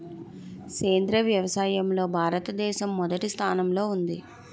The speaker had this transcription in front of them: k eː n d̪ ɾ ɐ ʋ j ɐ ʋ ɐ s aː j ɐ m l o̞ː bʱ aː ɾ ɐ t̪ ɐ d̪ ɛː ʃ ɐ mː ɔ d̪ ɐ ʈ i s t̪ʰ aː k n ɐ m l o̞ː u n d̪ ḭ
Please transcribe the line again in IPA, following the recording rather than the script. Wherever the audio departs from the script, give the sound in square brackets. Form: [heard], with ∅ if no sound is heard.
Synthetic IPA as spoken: k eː n d̪ ɾ ɐ ʋ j ɐ ʋ ɐ s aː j ɐ m l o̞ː bʱ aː ɾ ɐ t̪ ɐ d̪ ɛː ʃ ɐ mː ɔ d̪ ɐ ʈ i s t̪ʰ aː [∅] n ɐ m l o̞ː u n d̪ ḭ